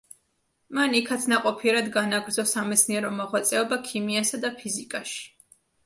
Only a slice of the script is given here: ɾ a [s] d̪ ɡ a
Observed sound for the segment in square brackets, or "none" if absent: none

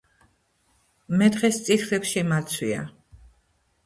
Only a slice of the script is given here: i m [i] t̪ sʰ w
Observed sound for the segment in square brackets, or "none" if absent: a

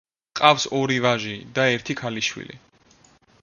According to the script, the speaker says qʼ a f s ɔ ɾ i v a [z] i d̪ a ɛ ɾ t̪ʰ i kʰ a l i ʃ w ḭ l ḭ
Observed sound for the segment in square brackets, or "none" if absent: ʒ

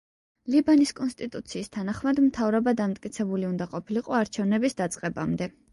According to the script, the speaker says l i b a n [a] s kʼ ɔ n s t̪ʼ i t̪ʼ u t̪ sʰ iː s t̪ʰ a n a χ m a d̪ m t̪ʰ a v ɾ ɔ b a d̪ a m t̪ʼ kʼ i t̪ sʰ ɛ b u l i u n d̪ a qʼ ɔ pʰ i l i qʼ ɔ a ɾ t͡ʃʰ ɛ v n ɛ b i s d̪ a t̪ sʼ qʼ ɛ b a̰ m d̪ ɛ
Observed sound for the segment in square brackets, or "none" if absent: i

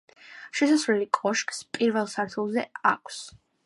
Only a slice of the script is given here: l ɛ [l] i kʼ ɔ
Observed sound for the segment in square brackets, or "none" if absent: l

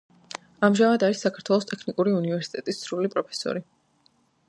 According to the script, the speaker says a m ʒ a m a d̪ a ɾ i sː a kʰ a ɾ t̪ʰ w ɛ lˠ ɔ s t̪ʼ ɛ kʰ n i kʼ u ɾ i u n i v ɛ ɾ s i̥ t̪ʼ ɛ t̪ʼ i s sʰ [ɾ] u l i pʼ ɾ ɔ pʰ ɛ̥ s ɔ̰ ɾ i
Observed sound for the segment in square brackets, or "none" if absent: ɾ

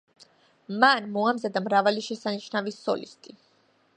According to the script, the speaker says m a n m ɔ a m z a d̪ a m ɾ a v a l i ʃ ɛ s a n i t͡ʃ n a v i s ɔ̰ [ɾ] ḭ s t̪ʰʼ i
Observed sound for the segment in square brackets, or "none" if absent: l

